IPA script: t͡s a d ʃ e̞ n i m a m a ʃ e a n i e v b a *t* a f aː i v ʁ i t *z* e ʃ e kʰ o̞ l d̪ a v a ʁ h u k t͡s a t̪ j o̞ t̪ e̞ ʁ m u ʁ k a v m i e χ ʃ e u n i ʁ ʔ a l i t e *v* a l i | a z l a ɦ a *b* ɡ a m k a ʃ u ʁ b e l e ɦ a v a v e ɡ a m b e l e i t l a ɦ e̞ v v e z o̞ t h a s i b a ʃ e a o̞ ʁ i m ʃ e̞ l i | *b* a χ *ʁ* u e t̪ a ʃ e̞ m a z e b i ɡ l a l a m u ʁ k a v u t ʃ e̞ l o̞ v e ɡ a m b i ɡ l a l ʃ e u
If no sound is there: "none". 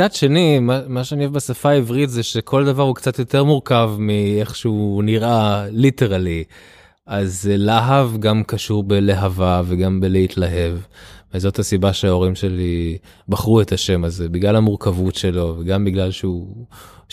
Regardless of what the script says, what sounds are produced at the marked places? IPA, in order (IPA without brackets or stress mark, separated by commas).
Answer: s, z, ʁ, v, b, ʁ